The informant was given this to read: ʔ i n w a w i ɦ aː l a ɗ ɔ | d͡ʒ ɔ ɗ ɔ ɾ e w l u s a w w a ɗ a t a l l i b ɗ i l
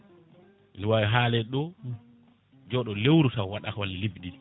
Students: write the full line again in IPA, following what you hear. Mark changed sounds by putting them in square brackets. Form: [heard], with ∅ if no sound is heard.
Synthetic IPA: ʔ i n w a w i ɦ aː l [ɛ] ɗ ɔ | d͡ʒ ɔ ɗ ɔ [l] e w [ɾ] u s a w w a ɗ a [k] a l l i b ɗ i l